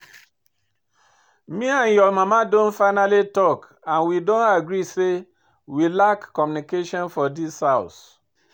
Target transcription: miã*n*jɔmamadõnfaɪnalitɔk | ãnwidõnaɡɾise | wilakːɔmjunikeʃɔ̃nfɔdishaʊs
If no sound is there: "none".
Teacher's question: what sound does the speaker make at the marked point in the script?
n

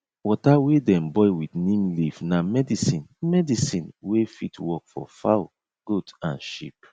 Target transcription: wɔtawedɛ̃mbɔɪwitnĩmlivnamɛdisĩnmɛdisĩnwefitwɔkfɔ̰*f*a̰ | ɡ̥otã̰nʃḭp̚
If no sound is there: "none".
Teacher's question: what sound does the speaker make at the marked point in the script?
f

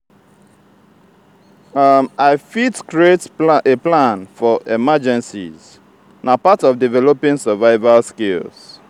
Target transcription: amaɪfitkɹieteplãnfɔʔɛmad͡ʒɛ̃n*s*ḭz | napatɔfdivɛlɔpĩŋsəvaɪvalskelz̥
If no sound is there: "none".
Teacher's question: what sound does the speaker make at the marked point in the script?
s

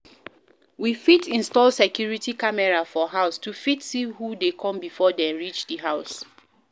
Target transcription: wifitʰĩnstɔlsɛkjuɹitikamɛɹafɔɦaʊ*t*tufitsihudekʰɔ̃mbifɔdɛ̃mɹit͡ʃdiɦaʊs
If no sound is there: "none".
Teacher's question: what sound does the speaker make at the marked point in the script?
s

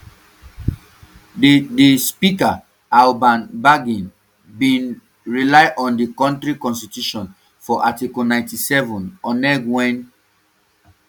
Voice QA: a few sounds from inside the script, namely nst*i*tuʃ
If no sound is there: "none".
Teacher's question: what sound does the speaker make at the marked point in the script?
i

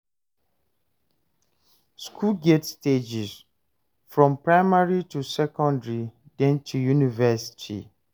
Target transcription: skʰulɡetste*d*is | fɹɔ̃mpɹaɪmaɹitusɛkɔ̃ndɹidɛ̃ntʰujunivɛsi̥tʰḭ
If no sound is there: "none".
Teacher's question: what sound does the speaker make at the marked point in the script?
d͡ʒ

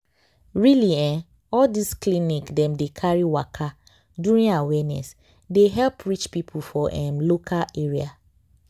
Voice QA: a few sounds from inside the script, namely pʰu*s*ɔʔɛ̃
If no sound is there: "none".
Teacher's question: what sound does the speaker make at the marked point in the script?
f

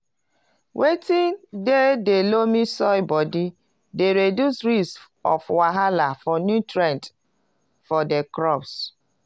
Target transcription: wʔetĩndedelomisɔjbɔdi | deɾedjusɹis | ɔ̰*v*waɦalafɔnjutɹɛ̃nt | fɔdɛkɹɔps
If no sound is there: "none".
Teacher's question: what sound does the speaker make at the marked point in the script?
f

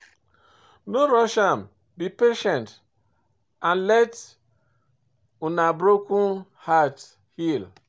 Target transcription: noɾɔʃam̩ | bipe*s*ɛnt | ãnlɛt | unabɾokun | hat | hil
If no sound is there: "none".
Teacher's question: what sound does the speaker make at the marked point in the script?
ʃ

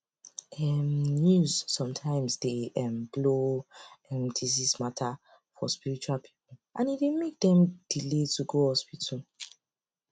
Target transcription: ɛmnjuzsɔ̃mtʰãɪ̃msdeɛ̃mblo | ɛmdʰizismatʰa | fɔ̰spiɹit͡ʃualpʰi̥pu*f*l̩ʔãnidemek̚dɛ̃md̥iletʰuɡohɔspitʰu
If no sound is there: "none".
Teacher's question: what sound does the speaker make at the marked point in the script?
none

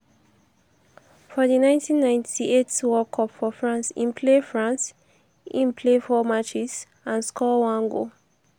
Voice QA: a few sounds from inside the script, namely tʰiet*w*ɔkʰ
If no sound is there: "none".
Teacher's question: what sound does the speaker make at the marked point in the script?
w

